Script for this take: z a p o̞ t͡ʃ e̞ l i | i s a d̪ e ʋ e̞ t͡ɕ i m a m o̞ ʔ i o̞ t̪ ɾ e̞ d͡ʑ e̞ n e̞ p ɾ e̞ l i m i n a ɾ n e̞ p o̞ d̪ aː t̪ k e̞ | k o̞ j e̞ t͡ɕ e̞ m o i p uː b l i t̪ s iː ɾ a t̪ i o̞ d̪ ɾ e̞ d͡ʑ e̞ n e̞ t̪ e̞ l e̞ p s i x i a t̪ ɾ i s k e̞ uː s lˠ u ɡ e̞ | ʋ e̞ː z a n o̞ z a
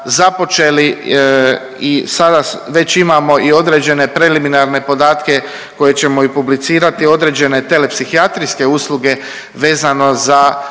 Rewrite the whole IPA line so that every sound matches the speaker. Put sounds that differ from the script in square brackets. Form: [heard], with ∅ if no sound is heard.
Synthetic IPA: z a p o̞ t͡ʃ e̞ l i | i s a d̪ [a] ʋ e̞ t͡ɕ i m a m o̞ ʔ i o̞ [d̪] ɾ e̞ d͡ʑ e̞ n e̞ p ɾ e̞ l i m i n a ɾ n e̞ p o̞ d̪ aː t̪ k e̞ | k o̞ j e̞ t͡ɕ e̞ m o i p [u] b l i t̪ s iː ɾ a t̪ i o̞ d̪ ɾ e̞ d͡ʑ e̞ n e̞ t̪ e̞ l e̞ p s i x i a t̪ ɾ i s k e̞ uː s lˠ u ɡ e̞ | ʋ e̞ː z a n o̞ z a